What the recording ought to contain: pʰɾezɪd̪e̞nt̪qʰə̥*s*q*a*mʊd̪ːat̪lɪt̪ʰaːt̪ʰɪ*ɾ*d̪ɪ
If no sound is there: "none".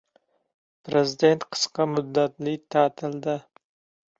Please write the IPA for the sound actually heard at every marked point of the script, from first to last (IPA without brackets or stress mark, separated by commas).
s, ɑ, l